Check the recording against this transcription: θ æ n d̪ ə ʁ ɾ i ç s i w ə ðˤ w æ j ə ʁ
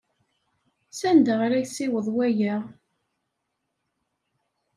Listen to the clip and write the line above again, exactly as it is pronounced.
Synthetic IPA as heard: s æ n d̪ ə ʁ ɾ æ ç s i w ə ðˤ w æ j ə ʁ